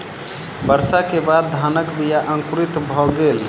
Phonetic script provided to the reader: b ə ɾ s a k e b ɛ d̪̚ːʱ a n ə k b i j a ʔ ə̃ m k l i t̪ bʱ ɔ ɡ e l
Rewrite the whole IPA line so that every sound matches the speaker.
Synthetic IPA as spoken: b ə ɾ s a k e b a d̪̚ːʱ a n ə k b i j a ʔ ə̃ ŋ k ɾ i t̪ bʱ ɔ ɡ e l

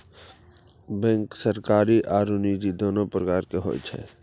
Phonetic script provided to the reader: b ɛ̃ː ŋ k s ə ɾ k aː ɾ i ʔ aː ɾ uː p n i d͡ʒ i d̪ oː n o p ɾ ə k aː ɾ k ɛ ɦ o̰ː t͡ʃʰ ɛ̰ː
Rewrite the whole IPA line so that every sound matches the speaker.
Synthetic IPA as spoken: b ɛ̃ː ŋ k s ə ɾ k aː ɾ i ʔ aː ɾ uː n i d͡ʒ i d̪ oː n o p ɾ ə k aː ɾ k e ɦ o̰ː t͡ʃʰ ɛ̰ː

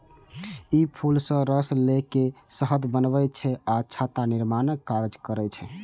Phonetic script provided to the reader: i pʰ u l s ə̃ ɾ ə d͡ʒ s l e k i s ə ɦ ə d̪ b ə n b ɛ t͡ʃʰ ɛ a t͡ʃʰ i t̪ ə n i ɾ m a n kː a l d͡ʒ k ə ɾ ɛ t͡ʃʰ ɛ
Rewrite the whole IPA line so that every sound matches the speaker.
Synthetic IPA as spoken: i pʰ u l s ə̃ ɾ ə s l e k e s ə ɦ ə d̪ b ə n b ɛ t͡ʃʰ ɛ a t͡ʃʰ a t̪ a n i ɾ m a n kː a ɾ d͡ʒ k ə ɾ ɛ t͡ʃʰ ɛ

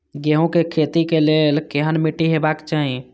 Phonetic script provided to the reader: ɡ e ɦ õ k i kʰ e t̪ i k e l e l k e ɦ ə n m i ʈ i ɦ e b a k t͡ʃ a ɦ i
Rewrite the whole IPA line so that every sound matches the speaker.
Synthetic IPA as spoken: ɡ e ɦ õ k e kʰ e t̪ i k e l e l k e ɦ ə n m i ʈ i ɦ e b a k t͡ʃ a ɦ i

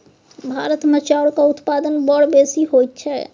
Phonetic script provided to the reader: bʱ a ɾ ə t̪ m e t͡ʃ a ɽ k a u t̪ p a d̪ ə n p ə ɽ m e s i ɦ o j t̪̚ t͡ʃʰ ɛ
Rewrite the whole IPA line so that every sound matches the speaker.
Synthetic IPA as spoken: bʱ a ɾ ə t̪ m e t͡ʃ a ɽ k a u t̪ p a d̪ ə n b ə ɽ b e s i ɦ o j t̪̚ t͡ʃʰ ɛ

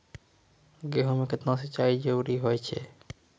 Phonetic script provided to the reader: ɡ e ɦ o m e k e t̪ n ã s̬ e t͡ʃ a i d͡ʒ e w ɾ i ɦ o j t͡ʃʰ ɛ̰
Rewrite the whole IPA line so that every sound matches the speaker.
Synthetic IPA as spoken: ɡ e ɦ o m e k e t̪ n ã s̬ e t͡ʃ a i d͡ʒ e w ɾ i ɦ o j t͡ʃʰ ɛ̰

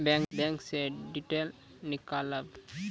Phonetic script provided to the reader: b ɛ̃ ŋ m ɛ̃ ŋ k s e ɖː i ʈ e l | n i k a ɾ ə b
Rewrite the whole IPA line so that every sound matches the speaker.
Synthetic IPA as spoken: b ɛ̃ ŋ b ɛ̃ ŋ k s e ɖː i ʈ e l | n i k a l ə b

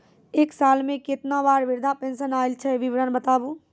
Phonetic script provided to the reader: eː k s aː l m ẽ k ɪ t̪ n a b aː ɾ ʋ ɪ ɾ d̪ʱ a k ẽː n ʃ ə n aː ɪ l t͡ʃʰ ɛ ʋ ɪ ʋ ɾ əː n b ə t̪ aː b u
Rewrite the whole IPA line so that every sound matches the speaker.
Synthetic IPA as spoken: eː k s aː l m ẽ k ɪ t̪ n a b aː ɾ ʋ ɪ ɾ d̪ʱ a p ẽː n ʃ ə n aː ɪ l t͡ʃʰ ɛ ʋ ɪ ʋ ɾ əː n b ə t̪ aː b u

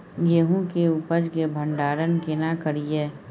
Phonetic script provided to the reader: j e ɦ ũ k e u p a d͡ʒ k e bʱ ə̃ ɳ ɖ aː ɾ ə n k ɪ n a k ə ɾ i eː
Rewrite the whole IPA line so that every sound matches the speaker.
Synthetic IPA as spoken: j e ɦ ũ k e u p ə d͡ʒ k e bʱ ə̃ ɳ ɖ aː ɾ ə n k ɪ n a k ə ɾ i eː

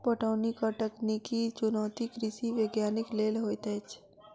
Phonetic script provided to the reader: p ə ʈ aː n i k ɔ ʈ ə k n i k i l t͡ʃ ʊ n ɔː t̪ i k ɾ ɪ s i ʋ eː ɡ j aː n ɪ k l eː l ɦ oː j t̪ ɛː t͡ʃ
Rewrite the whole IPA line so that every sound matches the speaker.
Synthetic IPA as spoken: p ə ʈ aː n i k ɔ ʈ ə k n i k i t͡ʃ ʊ n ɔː t̪ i k ɾ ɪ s i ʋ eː ɡ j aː n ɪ k l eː l ɦ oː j t̪ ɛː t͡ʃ

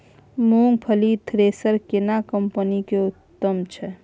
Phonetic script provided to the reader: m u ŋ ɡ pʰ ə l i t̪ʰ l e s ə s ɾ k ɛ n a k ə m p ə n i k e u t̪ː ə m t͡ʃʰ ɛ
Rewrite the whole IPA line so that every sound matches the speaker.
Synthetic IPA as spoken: m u ŋ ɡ pʰ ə l i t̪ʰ ɾ e s ə ɾ k e n a k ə m p ə n i k e u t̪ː ə m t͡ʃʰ ɛ

